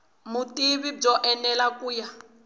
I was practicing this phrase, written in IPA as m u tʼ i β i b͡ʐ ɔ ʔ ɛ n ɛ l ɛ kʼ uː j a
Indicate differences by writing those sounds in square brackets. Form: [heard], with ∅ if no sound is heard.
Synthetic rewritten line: m u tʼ i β i b͡ʐ ɔ ʔ ɛ n ɛ l [a] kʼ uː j a